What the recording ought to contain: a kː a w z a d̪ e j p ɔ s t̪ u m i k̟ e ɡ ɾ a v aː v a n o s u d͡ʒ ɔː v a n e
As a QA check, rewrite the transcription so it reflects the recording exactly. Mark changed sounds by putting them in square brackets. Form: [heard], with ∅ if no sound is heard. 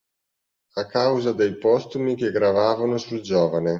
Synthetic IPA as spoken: a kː a w z a d̪ e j p ɔ s t̪ u m i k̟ e ɡ ɾ a v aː v a n o s u d͡ʒ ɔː v a n e